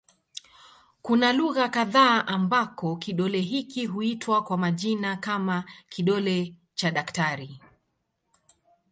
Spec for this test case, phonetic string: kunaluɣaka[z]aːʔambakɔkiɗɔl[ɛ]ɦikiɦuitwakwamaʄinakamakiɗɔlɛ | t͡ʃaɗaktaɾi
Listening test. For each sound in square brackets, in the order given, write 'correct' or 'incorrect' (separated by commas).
incorrect, correct